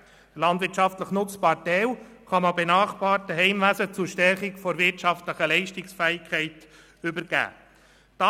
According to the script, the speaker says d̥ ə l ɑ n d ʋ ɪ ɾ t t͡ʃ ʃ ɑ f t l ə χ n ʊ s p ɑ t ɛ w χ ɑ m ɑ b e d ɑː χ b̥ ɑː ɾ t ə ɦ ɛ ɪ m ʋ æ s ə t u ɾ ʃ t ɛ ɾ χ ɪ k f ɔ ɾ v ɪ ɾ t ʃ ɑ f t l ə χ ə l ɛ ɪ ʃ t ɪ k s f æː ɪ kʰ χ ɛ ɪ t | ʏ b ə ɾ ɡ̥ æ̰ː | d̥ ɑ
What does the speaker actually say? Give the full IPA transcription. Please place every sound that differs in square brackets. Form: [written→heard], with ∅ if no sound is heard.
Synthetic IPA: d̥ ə l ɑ n d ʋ ɪ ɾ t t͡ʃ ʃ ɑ f t l ə χ n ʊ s p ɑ t ɛ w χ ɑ m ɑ b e [d→n] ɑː χ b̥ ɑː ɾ t ə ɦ ɛ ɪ m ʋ æ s ə [t→t͡s] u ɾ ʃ t ɛ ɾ χ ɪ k f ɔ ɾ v ɪ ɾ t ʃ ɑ f t l ə χ ə l ɛ ɪ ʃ t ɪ k s f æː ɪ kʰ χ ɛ ɪ t | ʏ b ə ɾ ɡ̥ æ̰ː | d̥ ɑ